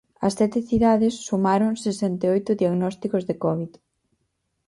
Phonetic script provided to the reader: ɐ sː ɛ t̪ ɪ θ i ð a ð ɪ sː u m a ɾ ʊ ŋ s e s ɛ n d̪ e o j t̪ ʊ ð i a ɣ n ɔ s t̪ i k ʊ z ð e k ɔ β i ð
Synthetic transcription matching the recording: ɐ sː ɛ t̪ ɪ θ i ð a ð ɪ sː u m a ɾ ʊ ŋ s e s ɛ n t̪ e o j t̪ ʊ ð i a ɣ n ɔ s t̪ i k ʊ z ð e k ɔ β i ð